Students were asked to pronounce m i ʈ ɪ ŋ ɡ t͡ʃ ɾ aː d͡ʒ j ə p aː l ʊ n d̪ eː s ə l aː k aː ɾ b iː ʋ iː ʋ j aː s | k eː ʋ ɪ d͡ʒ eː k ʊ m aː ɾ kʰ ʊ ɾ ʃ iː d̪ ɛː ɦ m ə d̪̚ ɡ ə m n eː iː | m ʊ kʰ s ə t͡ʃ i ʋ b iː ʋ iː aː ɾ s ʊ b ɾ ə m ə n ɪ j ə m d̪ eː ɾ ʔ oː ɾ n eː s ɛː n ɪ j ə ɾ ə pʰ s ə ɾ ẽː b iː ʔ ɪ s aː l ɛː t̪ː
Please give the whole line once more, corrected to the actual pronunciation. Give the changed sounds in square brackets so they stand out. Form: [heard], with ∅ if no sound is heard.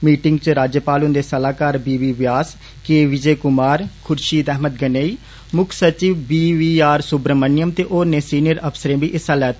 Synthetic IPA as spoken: m [iː] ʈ ɪ ŋ ɡ t͡ʃ ɾ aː d͡ʒ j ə p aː l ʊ n d̪ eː s ə l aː k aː ɾ b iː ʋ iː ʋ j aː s | k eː ʋ ɪ d͡ʒ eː k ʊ m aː ɾ kʰ ʊ ɾ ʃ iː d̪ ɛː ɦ m ə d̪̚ ɡ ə [∅] n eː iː | m ʊ kʰ s ə t͡ʃ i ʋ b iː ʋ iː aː ɾ s ʊ b ɾ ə m ə n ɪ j ə m [t̪] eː [∅] ʔ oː ɾ n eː s [iː] n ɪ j ə ɾ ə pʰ s ə ɾ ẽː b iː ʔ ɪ s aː l ɛː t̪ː